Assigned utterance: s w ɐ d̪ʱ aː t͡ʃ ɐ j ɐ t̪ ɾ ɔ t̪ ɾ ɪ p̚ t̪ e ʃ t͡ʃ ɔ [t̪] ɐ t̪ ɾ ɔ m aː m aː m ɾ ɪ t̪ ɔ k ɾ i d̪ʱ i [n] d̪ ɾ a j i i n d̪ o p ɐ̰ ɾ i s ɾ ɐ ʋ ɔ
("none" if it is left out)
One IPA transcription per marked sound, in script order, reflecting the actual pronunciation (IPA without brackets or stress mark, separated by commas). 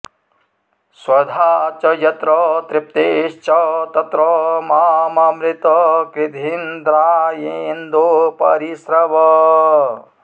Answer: t̪, n